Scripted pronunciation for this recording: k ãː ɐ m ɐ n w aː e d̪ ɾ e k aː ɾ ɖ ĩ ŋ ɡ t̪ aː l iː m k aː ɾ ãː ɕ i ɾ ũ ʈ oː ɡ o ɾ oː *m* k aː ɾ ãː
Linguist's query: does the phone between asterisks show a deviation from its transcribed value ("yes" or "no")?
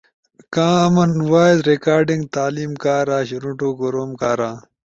no